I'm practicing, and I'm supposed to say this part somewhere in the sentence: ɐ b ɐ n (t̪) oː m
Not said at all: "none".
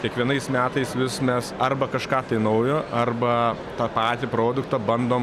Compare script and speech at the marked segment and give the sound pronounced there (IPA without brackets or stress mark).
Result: d̪